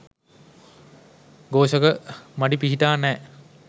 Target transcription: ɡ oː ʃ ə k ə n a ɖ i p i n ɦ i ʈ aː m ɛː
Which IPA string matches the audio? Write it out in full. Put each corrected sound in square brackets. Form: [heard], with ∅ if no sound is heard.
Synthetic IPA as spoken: ɡ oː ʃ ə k ə [m] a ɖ i p i [∅] ɦ i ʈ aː [n] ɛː